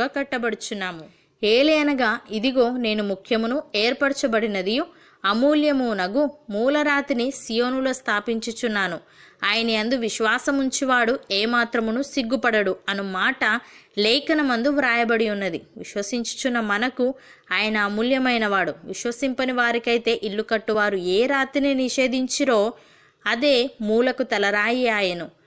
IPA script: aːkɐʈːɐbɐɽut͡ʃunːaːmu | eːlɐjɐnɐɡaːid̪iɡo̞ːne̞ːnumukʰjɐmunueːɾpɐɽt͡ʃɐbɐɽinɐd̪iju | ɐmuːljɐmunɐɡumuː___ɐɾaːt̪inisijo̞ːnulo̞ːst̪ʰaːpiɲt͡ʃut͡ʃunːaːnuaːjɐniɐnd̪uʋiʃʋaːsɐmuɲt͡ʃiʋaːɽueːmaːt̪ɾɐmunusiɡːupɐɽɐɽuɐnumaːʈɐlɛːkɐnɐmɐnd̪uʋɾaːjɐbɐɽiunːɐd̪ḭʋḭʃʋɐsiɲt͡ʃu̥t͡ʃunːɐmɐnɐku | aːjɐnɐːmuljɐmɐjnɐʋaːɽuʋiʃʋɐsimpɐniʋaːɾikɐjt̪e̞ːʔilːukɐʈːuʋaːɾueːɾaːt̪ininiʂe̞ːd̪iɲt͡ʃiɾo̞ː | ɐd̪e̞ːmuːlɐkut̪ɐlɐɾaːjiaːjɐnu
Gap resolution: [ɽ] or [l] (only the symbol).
l